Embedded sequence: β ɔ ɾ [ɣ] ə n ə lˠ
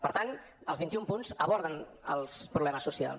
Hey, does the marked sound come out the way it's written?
no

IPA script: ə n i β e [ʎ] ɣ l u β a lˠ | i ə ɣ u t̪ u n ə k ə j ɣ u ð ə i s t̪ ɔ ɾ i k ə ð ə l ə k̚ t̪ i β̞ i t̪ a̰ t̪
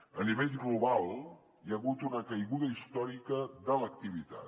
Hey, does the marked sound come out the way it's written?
yes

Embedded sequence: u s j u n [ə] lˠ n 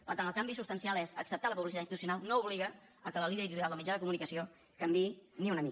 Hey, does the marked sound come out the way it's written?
no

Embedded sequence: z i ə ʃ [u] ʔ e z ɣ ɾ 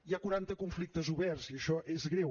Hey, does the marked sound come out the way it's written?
no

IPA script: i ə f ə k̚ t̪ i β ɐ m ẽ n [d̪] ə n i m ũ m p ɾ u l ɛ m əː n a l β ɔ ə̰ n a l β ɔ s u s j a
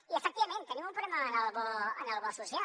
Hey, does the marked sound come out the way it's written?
no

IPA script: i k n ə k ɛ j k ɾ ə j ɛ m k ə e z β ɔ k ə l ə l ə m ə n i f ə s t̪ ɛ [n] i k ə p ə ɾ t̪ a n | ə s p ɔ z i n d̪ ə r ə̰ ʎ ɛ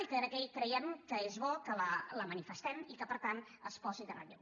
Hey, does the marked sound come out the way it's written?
no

